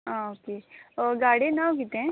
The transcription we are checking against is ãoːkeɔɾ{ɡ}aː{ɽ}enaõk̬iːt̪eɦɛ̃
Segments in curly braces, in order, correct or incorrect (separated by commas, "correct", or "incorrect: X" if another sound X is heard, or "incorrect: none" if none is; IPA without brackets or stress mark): correct, correct